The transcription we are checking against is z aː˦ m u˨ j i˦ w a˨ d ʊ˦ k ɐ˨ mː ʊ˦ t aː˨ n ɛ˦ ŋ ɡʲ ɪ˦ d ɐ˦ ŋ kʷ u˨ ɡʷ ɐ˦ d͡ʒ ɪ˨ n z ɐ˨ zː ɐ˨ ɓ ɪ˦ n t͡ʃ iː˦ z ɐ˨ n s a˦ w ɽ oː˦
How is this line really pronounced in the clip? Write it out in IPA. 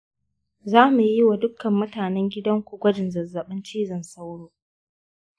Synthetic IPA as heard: z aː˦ m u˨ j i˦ w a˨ d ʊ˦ k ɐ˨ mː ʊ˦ t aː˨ n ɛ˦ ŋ ɡʲ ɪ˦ d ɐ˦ ŋ kʷ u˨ ɡʷ ɐ˦ d͡ʒ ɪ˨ n z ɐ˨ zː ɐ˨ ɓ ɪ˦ n t͡ʃ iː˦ z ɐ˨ n s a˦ w ɽ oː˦